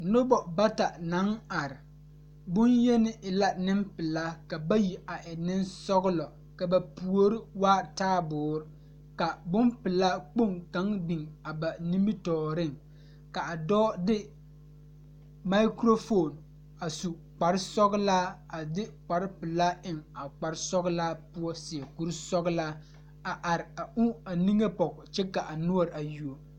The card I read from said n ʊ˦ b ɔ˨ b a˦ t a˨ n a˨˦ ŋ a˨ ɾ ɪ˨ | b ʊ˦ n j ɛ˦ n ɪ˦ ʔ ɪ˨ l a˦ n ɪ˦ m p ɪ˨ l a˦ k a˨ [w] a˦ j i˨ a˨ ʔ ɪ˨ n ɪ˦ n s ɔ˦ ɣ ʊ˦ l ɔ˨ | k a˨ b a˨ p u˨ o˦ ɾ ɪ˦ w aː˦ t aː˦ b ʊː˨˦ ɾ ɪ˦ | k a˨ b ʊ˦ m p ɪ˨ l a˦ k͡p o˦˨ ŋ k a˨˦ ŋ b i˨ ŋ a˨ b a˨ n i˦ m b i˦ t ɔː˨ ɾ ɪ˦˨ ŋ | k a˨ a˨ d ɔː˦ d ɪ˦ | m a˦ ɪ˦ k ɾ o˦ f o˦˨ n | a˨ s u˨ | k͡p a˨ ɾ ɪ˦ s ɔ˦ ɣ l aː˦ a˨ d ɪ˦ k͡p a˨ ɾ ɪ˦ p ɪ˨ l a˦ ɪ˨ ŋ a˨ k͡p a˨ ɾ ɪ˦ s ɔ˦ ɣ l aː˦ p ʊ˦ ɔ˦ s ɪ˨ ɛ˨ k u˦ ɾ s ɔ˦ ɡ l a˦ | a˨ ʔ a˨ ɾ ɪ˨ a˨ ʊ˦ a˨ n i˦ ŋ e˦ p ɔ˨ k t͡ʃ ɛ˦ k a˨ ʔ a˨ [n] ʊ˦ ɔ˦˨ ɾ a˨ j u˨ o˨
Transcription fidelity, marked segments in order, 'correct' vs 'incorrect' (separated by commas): incorrect, correct